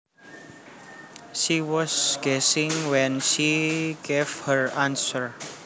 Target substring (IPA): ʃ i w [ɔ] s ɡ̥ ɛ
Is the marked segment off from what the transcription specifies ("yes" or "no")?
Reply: no